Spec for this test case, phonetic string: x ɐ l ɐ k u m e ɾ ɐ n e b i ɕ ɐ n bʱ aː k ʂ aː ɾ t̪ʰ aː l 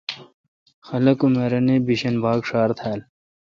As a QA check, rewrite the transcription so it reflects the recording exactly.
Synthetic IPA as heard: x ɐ l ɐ k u m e ɾ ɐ n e b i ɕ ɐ n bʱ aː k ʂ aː ɾ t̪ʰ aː l

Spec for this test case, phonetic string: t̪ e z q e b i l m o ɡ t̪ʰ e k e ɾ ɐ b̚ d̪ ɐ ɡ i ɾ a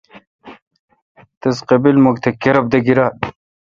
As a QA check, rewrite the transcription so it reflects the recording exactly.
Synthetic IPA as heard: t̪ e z q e b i l m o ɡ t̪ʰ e k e ɾ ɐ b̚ d̪ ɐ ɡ i ɾ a

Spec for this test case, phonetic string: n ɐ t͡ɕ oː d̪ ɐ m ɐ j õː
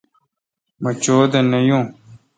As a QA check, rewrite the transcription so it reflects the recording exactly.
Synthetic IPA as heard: m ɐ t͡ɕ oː d̪ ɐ n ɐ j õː

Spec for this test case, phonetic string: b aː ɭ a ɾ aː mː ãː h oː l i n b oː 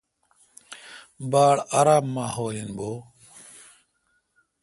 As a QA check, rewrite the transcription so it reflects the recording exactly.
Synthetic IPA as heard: b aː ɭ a ɾ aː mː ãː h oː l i n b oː

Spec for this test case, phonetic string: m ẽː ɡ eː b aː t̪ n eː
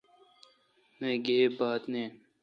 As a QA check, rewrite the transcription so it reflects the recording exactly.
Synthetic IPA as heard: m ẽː ɡ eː b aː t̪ n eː

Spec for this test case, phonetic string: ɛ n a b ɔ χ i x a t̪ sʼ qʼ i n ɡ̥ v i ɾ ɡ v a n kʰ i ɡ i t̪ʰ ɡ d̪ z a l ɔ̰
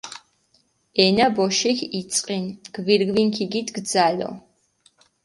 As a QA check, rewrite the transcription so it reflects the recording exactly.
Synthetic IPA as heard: ɛ n a b ɔ ʃ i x i t̪ sʼ qʼ i n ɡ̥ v i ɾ ɡ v i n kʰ i ɡ i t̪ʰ ɡ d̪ z a l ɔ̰

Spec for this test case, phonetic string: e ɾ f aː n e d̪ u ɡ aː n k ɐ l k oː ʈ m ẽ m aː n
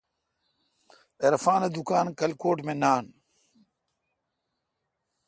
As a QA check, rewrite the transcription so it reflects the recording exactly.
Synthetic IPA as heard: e ɾ f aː n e d̪ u k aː n k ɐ l k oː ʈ m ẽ n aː n

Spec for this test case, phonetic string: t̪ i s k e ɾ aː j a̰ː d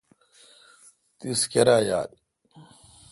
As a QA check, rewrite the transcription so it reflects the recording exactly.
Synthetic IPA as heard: t̪ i s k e ɾ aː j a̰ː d

